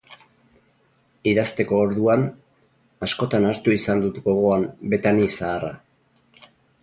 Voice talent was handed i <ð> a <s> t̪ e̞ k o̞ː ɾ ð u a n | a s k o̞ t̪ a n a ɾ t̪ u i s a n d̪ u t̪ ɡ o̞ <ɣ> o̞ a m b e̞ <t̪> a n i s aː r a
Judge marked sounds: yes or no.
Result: yes, yes, yes, yes

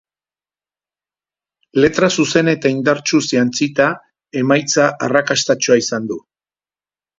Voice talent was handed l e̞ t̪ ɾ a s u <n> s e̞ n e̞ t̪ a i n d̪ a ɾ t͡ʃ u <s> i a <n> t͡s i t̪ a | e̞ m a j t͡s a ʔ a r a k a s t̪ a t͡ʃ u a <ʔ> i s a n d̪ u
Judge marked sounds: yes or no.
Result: no, yes, yes, no

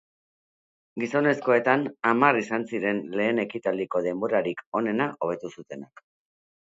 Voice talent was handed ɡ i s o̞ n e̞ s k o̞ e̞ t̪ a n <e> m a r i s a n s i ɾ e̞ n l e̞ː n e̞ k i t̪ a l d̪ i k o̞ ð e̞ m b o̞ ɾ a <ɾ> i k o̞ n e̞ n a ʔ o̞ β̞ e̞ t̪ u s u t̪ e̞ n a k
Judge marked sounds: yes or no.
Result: no, yes

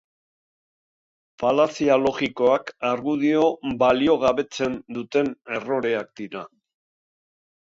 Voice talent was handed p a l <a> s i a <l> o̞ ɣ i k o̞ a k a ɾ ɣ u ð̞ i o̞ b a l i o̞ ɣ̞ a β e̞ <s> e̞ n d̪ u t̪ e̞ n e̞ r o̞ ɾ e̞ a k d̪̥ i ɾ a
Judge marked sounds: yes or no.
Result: yes, yes, no

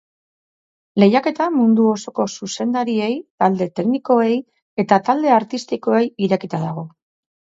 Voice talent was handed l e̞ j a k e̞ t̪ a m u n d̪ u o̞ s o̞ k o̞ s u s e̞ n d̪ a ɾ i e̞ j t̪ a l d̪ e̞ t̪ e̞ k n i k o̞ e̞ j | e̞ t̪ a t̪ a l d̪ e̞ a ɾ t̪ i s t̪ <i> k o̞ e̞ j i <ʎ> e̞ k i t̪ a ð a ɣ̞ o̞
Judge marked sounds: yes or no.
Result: yes, no

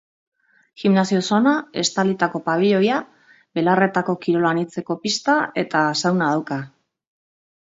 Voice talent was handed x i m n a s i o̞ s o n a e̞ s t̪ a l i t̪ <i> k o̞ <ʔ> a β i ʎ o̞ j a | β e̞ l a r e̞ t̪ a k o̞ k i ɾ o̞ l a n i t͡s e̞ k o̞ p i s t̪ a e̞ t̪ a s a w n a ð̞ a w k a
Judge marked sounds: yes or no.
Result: no, no

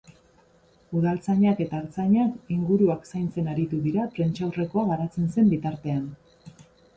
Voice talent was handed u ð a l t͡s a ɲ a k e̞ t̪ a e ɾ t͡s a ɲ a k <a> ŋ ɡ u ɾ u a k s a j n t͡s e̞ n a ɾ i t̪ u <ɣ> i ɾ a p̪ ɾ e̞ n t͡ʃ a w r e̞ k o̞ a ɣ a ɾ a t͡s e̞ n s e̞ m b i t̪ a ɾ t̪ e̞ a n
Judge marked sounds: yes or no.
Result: no, no

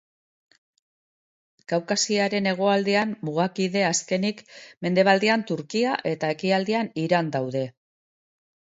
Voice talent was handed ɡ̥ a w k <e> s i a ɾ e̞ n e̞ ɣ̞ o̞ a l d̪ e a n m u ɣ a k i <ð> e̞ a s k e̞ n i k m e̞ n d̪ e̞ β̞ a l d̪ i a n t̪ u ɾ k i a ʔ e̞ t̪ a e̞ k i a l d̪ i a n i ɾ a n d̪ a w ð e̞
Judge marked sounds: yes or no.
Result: no, yes

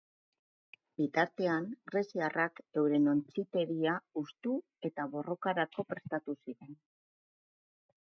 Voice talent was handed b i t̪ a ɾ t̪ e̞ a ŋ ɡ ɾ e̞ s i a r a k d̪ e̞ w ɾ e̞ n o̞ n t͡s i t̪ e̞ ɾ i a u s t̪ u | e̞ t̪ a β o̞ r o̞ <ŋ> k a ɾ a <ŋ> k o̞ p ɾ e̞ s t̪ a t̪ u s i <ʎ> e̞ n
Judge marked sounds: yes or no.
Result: no, no, no

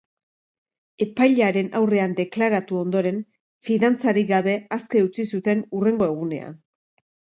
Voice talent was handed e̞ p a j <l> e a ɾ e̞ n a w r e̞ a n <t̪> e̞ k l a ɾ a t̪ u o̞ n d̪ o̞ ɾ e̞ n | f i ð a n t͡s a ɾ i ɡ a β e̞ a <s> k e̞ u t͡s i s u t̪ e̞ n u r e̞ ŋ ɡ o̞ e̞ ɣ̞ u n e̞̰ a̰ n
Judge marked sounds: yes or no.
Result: no, no, yes

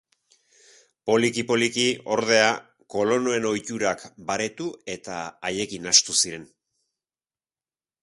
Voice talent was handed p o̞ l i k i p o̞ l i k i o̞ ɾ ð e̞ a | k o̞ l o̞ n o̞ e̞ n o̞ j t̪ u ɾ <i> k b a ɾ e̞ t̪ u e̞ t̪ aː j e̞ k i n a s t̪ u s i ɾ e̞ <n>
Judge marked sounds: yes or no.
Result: no, yes

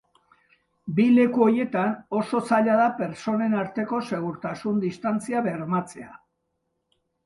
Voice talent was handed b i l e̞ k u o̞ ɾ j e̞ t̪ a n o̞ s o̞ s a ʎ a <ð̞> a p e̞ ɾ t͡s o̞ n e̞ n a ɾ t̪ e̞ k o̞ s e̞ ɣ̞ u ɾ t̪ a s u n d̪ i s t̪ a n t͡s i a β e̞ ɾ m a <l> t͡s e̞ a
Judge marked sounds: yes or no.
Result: yes, no

